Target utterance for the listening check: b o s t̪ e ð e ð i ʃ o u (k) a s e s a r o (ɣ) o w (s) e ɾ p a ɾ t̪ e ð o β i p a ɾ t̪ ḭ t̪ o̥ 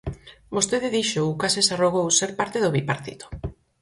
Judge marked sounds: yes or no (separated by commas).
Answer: yes, yes, yes